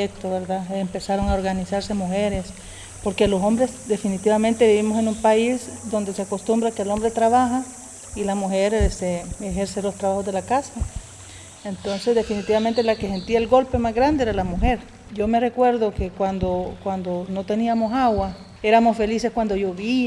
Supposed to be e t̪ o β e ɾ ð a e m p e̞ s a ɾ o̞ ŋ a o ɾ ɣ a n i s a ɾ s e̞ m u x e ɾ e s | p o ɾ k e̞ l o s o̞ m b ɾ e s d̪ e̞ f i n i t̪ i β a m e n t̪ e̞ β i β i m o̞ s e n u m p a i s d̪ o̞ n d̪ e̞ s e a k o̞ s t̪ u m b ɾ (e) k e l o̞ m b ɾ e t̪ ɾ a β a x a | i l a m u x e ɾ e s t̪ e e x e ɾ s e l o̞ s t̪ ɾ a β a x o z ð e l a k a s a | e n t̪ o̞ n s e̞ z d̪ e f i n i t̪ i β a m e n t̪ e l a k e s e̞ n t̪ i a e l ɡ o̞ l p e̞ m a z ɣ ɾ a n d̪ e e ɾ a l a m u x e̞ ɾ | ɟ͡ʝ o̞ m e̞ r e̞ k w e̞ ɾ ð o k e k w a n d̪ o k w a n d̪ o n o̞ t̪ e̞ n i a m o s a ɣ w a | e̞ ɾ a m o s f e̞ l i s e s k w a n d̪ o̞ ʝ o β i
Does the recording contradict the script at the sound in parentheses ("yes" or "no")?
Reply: yes